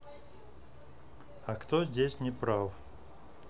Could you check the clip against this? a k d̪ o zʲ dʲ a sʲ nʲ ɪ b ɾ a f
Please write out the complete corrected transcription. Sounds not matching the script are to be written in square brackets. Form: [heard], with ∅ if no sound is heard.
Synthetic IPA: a k [t̪] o zʲ dʲ [e] sʲ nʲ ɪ [p] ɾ a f